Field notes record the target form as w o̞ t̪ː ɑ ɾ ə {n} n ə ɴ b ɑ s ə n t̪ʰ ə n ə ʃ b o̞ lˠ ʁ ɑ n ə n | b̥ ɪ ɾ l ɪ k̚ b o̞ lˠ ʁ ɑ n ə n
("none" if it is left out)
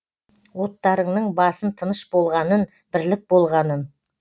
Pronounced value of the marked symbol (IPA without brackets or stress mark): ɴ